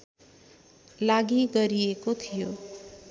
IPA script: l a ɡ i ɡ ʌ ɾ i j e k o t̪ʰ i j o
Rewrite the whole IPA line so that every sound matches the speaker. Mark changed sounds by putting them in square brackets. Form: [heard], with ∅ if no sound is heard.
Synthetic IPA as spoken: l a ɡ i ɡ ʌ ɾ i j e k o t̪ʰ i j o